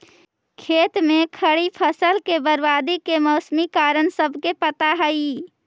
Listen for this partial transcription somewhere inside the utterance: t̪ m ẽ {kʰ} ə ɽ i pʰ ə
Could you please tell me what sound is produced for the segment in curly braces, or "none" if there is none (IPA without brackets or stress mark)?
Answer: kʰ